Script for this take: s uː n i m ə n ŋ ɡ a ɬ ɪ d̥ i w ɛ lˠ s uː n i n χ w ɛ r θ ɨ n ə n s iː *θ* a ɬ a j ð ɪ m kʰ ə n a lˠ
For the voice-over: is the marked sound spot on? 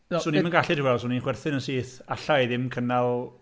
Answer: yes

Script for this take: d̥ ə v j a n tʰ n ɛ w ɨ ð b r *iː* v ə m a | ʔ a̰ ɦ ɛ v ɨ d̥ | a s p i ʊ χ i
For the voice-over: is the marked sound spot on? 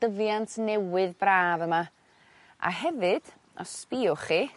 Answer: no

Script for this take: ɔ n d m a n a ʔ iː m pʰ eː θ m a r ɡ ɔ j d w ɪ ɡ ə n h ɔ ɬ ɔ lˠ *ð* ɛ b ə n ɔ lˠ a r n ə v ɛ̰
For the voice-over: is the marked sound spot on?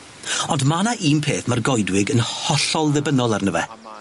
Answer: yes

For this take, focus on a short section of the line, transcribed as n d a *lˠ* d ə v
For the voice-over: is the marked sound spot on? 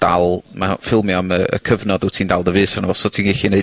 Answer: yes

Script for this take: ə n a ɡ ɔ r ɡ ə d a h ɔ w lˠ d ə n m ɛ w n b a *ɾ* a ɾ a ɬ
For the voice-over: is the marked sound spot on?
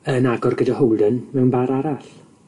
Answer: yes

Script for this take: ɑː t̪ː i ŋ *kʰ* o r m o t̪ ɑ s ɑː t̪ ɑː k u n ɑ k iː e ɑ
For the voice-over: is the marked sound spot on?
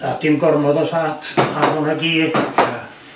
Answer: no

